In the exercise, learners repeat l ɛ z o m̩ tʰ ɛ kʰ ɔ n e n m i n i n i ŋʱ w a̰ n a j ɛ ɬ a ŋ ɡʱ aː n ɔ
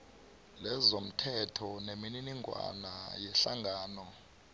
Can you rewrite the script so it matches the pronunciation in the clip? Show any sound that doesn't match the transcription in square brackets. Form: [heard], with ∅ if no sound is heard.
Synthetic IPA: l ɛ z o m̩ tʰ ɛ [tʰ] ɔ n e [∅] m i n i n i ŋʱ w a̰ n a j ɛ ɬ a ŋ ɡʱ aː n ɔ